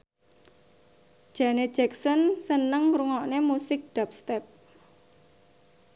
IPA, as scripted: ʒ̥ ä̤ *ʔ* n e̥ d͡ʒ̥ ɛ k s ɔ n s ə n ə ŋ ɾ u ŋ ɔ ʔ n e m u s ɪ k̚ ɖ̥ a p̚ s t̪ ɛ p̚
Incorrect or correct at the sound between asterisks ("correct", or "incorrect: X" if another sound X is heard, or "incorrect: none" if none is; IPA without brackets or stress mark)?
incorrect: none